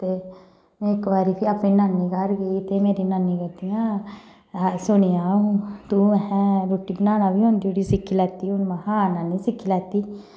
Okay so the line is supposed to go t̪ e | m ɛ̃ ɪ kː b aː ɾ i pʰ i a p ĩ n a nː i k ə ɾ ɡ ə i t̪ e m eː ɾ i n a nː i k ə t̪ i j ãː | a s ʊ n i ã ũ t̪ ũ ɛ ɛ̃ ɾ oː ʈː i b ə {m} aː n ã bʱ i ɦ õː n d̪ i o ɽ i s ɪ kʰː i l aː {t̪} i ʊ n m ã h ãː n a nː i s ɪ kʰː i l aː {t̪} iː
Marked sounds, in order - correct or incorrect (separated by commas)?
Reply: incorrect, correct, correct